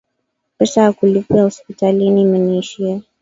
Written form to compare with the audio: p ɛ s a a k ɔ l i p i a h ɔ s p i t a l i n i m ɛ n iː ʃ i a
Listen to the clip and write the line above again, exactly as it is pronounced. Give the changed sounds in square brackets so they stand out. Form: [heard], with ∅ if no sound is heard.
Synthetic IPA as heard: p ɛ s a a k [u] l i p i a h ɔ s p i t a l i n i m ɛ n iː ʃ i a